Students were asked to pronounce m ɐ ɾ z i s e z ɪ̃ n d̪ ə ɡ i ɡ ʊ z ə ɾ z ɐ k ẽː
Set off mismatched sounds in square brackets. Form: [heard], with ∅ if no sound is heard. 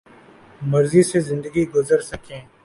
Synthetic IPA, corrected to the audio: m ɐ ɾ z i s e z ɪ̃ n d̪ ə ɡ i ɡ ʊ z ə ɾ [s] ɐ k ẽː